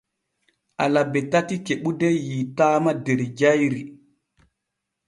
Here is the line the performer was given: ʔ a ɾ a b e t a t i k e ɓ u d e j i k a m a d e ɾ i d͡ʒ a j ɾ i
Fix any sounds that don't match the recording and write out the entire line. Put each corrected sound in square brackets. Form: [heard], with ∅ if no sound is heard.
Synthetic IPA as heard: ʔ a [l] a b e t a t i k e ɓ u d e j i [t] a m a d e ɾ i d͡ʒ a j ɾ i